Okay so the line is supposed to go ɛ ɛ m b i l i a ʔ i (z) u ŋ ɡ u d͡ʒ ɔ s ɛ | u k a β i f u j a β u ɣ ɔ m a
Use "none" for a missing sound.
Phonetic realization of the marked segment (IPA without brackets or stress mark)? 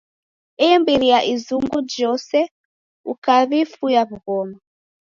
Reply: z